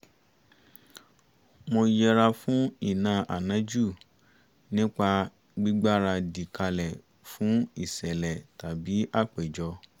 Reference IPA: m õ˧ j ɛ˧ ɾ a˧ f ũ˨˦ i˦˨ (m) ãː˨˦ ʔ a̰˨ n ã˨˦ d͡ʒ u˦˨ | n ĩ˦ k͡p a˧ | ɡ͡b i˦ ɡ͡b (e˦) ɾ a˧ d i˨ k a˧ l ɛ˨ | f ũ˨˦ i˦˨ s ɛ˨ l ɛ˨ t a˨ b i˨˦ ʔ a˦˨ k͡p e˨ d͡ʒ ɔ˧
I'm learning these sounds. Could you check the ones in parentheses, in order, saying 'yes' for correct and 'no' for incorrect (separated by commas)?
no, no